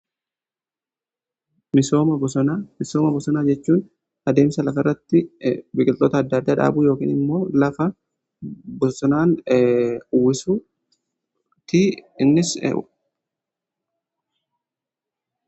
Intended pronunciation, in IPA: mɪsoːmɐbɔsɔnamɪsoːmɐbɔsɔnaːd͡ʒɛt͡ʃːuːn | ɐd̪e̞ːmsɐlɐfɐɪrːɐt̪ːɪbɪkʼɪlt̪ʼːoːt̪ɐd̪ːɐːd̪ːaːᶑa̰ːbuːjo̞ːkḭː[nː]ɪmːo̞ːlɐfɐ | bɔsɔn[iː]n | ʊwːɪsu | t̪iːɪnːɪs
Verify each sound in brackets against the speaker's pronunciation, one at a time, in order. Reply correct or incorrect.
incorrect, incorrect

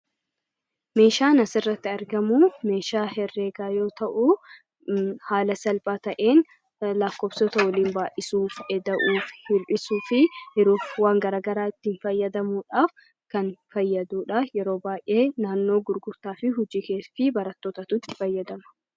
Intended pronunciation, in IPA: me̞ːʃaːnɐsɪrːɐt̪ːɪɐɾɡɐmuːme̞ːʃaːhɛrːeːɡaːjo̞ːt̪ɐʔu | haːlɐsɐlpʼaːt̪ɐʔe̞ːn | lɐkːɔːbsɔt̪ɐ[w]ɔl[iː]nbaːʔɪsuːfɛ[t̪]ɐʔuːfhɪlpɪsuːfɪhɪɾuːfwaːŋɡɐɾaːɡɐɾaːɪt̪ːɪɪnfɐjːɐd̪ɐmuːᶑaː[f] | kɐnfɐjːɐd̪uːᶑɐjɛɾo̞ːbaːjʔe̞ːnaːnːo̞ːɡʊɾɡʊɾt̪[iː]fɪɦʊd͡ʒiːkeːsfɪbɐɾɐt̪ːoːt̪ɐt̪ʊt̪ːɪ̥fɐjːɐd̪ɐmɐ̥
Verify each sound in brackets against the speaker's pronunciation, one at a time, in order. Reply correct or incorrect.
correct, correct, incorrect, correct, incorrect

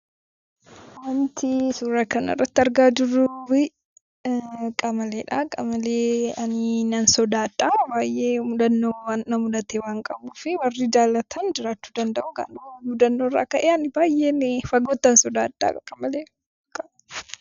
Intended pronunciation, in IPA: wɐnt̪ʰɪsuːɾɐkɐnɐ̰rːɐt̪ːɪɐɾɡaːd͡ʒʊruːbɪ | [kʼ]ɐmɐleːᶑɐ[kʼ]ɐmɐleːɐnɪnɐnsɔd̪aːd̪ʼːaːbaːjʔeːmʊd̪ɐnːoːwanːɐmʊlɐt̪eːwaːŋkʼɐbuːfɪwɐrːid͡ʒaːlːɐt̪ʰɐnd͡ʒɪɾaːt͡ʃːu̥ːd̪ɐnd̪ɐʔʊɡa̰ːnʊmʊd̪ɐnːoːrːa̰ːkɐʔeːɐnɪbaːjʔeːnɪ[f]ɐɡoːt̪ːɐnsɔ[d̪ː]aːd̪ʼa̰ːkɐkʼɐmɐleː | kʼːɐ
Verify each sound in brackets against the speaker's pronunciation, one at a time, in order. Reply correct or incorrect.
correct, correct, correct, incorrect

